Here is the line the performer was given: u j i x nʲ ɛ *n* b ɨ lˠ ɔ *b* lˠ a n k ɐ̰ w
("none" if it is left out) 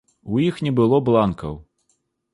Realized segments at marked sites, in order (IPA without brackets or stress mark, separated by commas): none, b